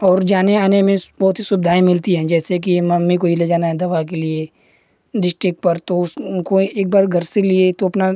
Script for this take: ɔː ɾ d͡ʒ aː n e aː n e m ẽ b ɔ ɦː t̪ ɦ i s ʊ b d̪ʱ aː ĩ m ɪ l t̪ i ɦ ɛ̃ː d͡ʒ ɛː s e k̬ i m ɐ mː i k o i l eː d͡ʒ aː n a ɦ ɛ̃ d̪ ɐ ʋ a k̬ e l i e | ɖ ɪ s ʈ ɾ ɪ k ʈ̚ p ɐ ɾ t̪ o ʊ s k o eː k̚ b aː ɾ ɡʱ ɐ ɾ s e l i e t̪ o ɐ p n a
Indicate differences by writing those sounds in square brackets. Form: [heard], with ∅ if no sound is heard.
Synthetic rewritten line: ɔː ɾ d͡ʒ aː n e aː n e m ẽ b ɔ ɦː t̪ ɦ i s ʊ b d̪ʱ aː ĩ m ɪ l t̪ i ɦ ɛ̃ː d͡ʒ ɛː s e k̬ i m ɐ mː i k o i l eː d͡ʒ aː n a ɦ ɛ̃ d̪ ɐ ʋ a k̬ e l i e | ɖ ɪ s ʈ ɾ ɪ k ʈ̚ p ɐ ɾ t̪ o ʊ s k o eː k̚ b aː ɾ ɡʱ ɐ ɾ s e l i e t̪ o ɐ p n a